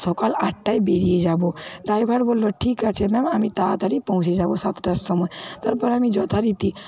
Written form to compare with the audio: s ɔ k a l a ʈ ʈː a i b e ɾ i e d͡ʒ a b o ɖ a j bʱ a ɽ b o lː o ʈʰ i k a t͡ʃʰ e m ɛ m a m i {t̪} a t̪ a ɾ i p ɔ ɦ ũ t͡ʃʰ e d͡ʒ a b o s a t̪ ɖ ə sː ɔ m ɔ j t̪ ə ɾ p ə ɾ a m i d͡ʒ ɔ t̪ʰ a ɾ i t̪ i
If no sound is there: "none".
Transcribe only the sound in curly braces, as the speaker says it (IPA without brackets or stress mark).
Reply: t̪